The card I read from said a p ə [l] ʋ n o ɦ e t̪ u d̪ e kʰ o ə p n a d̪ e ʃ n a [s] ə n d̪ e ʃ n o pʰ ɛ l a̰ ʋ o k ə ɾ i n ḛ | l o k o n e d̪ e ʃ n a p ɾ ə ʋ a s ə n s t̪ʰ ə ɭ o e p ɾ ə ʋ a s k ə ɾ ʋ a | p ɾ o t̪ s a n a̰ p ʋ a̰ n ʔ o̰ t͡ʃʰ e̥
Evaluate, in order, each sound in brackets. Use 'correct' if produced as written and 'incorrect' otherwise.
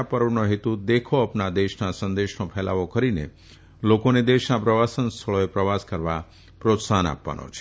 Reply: incorrect: ɾ, correct

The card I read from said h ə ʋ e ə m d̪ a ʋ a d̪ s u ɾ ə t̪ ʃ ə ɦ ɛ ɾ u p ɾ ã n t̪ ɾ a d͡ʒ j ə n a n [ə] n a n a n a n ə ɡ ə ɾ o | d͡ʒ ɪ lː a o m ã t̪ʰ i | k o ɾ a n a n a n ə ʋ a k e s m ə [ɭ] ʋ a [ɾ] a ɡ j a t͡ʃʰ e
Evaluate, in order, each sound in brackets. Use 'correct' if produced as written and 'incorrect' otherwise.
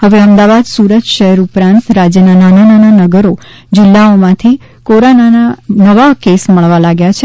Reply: incorrect: a, correct, incorrect: l

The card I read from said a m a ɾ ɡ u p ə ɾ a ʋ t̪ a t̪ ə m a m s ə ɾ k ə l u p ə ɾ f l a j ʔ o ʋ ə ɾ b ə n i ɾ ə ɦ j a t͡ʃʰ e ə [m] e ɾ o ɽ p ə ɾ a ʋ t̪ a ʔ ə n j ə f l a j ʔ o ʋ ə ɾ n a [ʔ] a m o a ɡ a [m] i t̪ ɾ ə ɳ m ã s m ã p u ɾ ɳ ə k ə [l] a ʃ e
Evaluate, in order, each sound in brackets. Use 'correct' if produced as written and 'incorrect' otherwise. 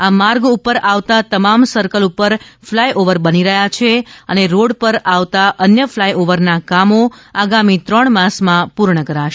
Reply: incorrect: n, incorrect: k, correct, incorrect: ɾ

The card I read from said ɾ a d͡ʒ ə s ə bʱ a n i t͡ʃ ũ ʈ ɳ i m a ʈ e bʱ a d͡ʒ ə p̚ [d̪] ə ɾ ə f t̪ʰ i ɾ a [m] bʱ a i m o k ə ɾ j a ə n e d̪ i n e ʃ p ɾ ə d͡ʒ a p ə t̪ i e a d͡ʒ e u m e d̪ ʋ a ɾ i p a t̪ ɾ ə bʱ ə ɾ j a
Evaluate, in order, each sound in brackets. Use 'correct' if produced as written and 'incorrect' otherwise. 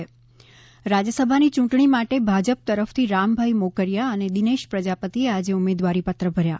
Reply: incorrect: t̪, correct

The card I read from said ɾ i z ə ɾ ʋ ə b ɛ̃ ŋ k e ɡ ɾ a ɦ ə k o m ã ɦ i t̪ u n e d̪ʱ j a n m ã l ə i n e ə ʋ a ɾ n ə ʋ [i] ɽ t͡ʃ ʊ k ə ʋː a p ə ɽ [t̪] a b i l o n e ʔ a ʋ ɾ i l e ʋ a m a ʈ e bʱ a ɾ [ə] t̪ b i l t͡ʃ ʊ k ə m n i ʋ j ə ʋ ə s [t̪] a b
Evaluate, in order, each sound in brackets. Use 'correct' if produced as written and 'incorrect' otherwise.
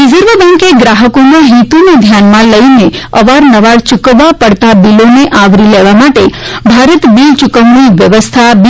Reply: incorrect: a, correct, correct, incorrect: t̪ʰ

